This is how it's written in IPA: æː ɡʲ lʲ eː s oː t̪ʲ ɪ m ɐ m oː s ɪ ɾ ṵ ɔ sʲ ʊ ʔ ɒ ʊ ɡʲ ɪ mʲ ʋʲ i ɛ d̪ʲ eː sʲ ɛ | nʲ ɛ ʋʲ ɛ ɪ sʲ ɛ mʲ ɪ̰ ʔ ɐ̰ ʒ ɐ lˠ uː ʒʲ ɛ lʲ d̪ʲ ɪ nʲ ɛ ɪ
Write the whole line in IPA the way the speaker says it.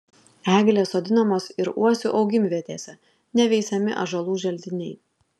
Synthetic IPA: æː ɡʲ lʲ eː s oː d̪ʲ ɪ n ɐ m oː s ɪ ɾ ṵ ɔ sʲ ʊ ʔ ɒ ʊ ɡʲ ɪ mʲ ʋʲ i ɛ t̪ʲ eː sʲ ɛ | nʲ ɛ ʋʲ ɛ ɪ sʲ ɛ mʲ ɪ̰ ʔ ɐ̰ ʒ ɐ lˠ uː ʒʲ ɛ lʲ d̪ʲ ɪ nʲ ɛ ɪ